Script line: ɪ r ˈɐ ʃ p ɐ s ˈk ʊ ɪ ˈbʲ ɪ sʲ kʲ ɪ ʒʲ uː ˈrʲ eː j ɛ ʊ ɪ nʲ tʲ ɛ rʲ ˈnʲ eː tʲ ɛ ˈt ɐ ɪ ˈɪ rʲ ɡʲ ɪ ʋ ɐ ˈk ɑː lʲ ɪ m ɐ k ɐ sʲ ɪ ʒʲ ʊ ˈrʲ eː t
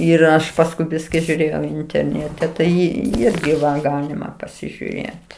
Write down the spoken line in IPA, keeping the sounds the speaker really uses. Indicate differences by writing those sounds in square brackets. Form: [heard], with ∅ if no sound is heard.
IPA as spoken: ɪ r ˈɐ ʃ p ɐ s ˈk ʊ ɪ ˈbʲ ɪ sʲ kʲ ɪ ʒʲ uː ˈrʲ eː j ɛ ʊ ɪ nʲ tʲ ɛ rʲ ˈnʲ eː tʲ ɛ ˈt ɐ ɪ ˈɪ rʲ ɡʲ ɪ ʋ ɐ [ˈɡ] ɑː lʲ ɪ m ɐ [p] ɐ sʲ ɪ ʒʲ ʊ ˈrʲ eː t